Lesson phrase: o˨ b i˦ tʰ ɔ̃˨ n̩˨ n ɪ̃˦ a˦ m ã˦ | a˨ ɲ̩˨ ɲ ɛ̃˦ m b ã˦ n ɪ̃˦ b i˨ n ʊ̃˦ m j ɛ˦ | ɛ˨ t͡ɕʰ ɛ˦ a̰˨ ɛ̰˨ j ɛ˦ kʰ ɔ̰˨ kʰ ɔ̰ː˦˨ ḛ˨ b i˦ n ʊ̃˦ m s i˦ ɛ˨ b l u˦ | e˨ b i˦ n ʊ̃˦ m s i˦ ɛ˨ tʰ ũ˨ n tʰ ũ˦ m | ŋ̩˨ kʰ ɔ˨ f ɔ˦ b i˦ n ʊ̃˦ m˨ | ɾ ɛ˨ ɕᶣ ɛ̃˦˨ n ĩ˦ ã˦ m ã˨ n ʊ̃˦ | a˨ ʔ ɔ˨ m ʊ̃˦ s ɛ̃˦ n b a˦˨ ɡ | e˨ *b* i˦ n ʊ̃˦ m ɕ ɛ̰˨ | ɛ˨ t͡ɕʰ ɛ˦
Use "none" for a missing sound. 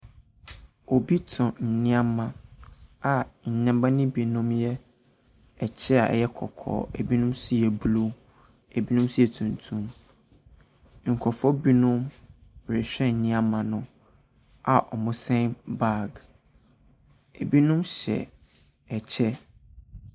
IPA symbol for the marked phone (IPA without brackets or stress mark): b